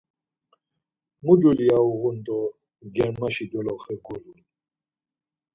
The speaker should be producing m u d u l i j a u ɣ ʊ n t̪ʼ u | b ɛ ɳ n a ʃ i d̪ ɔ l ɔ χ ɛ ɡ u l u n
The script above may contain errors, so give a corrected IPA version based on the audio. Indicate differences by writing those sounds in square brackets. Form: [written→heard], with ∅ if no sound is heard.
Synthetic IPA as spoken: m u d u l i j a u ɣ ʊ n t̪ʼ [u→ɔ] | [b→ɡ] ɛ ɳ [n→m] a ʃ i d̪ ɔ l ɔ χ ɛ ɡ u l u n